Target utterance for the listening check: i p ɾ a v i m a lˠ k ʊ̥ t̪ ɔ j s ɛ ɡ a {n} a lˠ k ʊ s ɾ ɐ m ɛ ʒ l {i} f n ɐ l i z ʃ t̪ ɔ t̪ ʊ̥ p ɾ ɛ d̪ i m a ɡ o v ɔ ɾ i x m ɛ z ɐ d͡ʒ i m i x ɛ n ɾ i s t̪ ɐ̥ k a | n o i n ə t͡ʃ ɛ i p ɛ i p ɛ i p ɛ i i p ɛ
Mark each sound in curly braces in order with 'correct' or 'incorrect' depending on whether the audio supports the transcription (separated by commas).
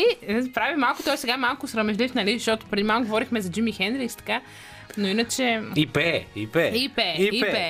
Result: incorrect, correct